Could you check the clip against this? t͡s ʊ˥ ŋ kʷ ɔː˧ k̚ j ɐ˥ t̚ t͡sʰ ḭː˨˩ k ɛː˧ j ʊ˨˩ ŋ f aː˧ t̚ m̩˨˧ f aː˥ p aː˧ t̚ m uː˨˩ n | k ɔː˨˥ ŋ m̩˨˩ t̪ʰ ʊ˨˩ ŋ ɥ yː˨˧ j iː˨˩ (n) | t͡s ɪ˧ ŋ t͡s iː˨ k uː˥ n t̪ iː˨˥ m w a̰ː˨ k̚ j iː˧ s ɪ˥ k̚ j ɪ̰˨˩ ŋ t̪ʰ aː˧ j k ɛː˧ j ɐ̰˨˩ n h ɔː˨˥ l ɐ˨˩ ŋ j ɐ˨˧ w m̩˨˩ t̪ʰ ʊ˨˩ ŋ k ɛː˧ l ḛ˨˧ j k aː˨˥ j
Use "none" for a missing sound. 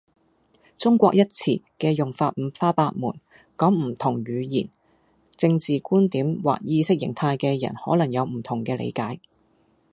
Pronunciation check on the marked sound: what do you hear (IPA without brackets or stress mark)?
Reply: n